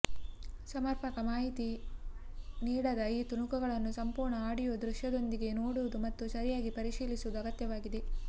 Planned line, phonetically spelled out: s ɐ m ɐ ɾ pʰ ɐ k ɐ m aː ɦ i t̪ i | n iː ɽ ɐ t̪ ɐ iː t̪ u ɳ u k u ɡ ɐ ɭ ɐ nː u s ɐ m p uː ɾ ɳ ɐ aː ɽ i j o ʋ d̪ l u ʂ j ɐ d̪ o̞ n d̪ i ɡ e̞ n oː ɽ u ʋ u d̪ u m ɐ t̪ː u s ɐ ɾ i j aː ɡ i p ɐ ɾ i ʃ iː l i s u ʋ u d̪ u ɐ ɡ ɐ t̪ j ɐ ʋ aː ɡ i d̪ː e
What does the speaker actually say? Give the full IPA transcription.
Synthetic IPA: s ɐ m ɐ ɾ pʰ ɐ k ɐ m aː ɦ i t̪ i | n iː ɽ ɐ d̪ ɐ iː t̪ u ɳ u k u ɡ ɐ ɭ ɐ nː u s ɐ m p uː ɾ ɳ ɐ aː ɽ i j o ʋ d̪ ɾ u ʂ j ɐ d̪ o̞ n d̪ i ɡ e̞ n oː ɽ u ʋ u d̪ u m ɐ t̪ː u s ɐ ɾ i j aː ɡ i p ɐ ɾ i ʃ iː l i s u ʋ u d̪ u ɐ ɡ ɐ t̪ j ɐ ʋ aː ɡ i d̪ e